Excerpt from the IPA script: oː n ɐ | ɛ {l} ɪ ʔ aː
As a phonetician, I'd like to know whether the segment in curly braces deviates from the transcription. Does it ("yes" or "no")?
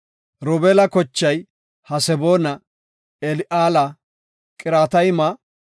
no